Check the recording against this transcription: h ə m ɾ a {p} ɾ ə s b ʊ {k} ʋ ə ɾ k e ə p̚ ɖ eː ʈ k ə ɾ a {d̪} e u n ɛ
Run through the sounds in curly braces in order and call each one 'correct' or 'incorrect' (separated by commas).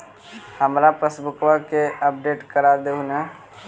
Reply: correct, correct, correct